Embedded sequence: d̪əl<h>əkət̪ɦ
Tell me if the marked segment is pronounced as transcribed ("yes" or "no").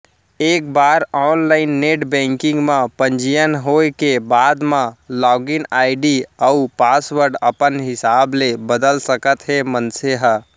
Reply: no